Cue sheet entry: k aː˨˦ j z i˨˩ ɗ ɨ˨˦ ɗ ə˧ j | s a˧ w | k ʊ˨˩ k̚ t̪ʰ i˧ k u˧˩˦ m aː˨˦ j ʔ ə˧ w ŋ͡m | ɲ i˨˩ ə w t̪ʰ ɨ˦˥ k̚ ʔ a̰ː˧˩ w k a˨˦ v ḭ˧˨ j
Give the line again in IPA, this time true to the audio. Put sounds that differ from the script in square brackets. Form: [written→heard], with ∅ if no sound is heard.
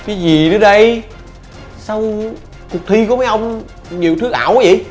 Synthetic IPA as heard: k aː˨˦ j z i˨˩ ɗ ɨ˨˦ ɗ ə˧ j | s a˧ w | k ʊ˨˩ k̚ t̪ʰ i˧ k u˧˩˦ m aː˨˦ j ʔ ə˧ w ŋ͡m | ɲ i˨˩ ə w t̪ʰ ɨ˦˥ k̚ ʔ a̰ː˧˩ w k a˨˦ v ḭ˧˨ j